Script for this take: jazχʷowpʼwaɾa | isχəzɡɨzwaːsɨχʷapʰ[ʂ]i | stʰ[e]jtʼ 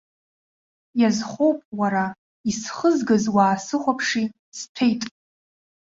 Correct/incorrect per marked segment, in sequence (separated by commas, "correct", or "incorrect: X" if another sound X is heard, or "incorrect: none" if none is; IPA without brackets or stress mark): correct, correct